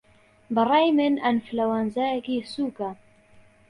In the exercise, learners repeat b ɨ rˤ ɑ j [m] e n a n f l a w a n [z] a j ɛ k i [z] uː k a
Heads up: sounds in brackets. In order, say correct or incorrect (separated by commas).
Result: correct, correct, incorrect